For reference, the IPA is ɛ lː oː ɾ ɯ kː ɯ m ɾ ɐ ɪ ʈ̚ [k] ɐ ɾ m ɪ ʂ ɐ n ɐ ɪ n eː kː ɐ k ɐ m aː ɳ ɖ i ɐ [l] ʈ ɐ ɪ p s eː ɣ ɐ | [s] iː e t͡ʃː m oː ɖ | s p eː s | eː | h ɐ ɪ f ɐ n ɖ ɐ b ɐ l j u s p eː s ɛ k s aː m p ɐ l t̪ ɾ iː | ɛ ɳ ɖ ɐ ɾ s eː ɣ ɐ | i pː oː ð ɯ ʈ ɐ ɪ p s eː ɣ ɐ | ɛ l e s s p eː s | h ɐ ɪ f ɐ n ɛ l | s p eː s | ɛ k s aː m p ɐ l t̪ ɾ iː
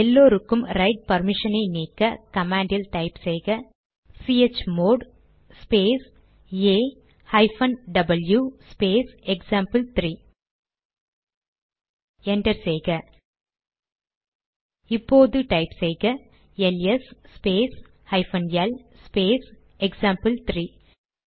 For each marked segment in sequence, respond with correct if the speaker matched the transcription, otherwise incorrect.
incorrect, correct, correct

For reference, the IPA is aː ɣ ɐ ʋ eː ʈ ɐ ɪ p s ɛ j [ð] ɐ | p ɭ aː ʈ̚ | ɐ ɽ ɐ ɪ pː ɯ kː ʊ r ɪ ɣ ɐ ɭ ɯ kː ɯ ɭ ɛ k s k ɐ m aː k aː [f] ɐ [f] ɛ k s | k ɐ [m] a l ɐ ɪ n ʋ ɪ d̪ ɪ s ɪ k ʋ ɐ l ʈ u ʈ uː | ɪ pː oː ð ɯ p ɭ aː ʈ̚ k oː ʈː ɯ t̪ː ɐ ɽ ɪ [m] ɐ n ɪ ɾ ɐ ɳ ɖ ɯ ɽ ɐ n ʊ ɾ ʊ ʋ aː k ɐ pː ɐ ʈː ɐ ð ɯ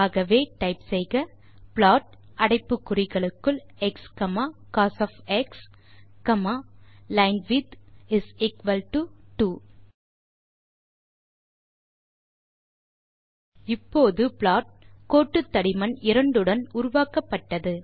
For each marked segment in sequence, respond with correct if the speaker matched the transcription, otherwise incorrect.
incorrect, incorrect, correct, correct, correct

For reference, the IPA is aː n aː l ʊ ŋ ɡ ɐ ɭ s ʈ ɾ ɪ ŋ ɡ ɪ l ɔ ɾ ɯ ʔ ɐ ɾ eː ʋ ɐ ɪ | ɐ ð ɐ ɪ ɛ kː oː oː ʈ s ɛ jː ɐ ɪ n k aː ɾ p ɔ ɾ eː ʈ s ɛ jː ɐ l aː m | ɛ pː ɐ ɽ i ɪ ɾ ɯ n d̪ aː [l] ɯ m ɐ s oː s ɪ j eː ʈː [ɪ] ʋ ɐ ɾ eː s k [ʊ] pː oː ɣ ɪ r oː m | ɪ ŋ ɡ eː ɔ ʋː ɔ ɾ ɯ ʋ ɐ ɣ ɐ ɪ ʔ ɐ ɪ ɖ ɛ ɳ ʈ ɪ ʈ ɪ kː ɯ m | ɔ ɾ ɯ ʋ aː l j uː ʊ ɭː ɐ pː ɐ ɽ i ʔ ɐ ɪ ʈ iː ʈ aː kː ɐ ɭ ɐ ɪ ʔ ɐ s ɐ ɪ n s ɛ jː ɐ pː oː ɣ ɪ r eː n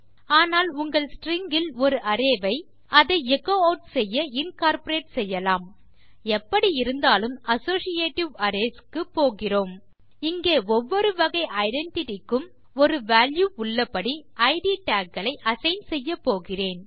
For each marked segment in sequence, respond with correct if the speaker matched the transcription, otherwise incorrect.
correct, correct, incorrect

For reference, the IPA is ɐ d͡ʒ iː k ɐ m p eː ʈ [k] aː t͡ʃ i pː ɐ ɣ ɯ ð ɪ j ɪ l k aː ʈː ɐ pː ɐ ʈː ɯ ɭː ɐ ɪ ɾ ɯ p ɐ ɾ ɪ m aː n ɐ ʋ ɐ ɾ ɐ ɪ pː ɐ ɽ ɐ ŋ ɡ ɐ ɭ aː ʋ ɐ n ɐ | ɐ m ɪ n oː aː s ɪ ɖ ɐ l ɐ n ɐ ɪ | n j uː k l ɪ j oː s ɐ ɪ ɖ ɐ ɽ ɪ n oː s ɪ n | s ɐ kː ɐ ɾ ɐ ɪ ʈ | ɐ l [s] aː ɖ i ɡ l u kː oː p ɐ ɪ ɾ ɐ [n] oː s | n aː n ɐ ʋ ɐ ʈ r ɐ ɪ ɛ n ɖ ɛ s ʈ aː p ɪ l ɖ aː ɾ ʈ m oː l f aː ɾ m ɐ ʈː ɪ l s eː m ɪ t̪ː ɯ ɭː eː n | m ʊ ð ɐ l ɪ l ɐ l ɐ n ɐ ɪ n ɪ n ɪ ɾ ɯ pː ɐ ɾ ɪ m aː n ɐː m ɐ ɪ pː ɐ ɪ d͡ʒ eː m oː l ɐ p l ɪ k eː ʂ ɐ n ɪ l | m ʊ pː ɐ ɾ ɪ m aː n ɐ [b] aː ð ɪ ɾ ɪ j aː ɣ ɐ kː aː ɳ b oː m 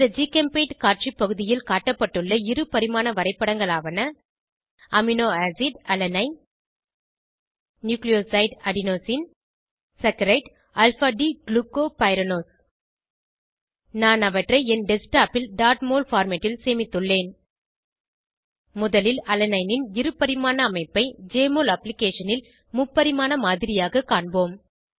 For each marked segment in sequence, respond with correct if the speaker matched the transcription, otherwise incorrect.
correct, incorrect, correct, incorrect

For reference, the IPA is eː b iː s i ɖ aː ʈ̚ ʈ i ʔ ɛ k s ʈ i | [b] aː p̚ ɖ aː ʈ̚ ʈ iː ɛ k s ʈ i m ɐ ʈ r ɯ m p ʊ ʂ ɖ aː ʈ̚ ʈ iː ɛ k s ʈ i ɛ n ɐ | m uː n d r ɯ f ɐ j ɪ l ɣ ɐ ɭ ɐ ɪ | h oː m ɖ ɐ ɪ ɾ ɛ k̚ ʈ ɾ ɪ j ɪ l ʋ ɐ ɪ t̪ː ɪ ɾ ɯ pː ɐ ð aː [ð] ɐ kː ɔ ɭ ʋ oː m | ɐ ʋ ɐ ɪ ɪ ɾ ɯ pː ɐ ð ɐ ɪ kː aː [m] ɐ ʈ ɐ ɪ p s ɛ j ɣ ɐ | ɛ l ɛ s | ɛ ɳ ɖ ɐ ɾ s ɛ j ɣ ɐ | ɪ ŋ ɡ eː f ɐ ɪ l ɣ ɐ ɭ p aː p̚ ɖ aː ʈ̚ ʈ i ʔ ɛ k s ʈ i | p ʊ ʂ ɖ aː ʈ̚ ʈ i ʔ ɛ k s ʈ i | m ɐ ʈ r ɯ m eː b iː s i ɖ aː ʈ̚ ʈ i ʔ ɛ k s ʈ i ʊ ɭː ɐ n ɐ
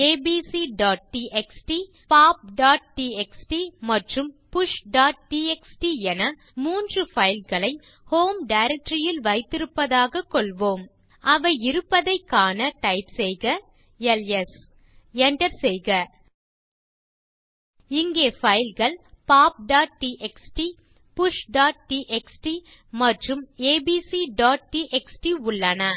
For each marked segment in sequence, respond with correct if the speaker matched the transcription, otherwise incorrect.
incorrect, incorrect, incorrect

